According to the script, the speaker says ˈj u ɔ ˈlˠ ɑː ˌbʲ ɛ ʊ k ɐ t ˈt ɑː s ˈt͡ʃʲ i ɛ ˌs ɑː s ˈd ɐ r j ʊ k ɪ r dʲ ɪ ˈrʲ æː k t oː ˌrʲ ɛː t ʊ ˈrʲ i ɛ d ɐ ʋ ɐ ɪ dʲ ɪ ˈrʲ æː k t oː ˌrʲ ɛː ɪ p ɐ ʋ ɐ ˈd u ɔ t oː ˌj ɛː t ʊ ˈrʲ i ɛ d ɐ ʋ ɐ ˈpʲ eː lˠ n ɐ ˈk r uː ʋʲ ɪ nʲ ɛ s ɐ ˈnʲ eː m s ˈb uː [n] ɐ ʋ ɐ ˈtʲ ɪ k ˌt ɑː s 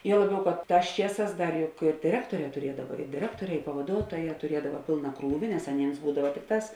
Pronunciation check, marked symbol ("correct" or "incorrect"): incorrect